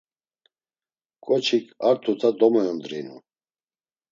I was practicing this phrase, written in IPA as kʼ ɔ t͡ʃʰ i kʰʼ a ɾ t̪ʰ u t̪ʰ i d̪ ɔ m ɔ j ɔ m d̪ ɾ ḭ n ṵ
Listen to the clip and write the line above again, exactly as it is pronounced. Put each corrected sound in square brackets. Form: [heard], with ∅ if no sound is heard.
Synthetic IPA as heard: kʼ ɔ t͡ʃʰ i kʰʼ a ɾ t̪ʰ u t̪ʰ [a] d̪ ɔ m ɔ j ɔ [n] d̪ ɾ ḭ n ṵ

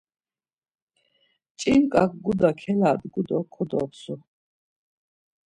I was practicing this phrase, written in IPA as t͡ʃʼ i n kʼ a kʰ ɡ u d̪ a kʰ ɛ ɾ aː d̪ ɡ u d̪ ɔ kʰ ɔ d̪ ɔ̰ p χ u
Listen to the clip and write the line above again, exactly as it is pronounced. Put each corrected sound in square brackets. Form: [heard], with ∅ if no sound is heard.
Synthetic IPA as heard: t͡ʃʼ i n kʼ a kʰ ɡ u d̪ a kʰ ɛ [l] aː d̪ ɡ u d̪ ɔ kʰ ɔ d̪ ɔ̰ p [s] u

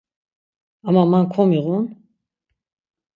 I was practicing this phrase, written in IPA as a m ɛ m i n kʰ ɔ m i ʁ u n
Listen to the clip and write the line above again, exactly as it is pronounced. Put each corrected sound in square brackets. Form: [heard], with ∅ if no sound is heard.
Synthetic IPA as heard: a m [a] m [a] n kʰ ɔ m i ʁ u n

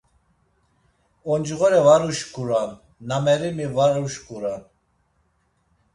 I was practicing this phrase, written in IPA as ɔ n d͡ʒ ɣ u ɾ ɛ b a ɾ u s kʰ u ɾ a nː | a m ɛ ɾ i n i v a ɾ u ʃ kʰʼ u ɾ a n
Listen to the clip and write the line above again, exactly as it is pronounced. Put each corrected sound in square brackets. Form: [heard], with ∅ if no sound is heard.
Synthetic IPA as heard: ɔ n d͡ʒ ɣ [ɔ] ɾ ɛ [v] a ɾ u [ʃ] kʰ u ɾ a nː | a m ɛ ɾ i [m] i v a ɾ u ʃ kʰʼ u ɾ a n

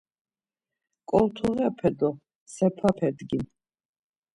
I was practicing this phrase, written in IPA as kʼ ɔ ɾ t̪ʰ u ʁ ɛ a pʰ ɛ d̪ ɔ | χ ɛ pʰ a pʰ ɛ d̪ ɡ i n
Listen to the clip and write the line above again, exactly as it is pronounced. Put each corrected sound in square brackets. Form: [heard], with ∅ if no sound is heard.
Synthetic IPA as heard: kʼ ɔ [l] t̪ʰ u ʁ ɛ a pʰ ɛ d̪ ɔ | [s] ɛ pʰ a pʰ ɛ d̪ ɡ i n

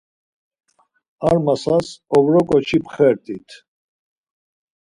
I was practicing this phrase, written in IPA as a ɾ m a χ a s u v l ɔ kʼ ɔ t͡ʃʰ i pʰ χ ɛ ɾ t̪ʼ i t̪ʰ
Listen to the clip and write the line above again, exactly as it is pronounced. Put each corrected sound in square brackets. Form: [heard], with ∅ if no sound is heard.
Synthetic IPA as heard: a ɾ m a [s] a s [ɔ] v [ɾ] ɔ kʼ ɔ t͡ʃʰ i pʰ χ ɛ ɾ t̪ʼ i t̪ʰ

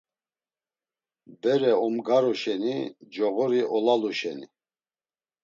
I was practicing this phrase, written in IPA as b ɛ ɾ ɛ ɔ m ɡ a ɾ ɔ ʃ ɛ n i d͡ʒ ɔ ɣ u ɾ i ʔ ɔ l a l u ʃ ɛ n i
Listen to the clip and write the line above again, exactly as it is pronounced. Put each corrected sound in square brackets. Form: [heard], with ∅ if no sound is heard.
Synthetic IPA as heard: b ɛ ɾ ɛ ɔ m ɡ a ɾ ɔ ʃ ɛ n i d͡ʒ ɔ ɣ [ɔ] ɾ i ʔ ɔ l a l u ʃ ɛ n i

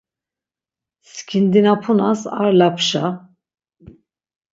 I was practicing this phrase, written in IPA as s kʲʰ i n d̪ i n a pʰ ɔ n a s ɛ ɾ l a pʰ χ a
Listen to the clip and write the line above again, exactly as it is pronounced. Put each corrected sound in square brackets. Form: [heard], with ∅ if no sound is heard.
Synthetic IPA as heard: s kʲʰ i n d̪ i n a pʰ [u] n a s [a] ɾ l a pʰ [ʃ] a

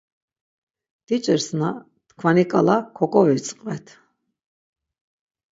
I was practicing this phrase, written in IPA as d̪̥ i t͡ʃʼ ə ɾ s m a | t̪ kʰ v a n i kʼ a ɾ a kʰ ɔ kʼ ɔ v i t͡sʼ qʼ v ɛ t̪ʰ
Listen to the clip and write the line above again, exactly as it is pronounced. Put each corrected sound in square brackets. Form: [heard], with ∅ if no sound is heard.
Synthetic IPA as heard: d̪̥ i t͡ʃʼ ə ɾ s [n] a | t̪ kʰ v a n i kʼ a [l] a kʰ ɔ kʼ ɔ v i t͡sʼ qʼ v ɛ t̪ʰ

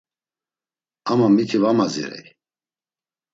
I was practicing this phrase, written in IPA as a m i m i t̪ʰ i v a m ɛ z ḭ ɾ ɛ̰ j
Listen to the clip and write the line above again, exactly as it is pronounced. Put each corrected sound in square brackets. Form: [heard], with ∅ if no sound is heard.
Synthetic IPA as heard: a m [a] m i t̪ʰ i v a m [a] z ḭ ɾ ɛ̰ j

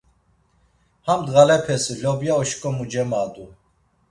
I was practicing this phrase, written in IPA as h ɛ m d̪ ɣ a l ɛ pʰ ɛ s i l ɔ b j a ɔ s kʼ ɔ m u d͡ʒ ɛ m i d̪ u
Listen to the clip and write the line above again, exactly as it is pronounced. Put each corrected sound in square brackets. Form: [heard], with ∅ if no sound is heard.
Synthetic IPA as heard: h [a] m d̪ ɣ a l ɛ pʰ ɛ s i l ɔ b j a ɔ [ʃ] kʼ ɔ m u d͡ʒ ɛ m [a] d̪ u

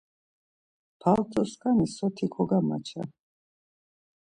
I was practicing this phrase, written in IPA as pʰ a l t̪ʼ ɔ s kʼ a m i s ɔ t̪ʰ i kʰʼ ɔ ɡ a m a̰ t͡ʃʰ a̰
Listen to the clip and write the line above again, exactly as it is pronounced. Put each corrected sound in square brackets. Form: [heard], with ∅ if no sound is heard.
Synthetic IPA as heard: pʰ a l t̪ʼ ɔ s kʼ a [n] i s ɔ t̪ʰ i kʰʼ ɔ ɡ a m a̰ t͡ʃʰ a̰

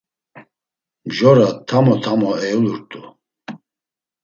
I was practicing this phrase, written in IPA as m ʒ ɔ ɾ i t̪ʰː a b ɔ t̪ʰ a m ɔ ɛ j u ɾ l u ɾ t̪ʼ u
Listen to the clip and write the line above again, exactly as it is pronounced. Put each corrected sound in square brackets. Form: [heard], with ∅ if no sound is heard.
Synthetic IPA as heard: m ʒ ɔ ɾ [a] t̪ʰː a [m] ɔ t̪ʰ a m ɔ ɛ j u [∅] l u ɾ t̪ʼ u

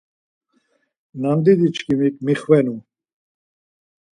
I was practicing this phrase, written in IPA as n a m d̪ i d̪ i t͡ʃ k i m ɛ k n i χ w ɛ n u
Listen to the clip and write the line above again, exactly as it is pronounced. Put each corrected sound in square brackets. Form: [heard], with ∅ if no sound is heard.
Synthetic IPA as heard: n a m d̪ i d̪ i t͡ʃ k i m [i] k [m] i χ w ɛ n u

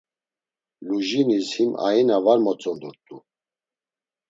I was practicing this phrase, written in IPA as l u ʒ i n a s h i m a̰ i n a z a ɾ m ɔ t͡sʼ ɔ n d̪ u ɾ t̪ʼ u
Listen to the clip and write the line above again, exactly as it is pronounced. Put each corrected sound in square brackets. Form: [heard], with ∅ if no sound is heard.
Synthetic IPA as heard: l u ʒ i n [i] s h i m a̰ i n a [v] a ɾ m ɔ t͡sʼ ɔ n d̪ u ɾ t̪ʼ u

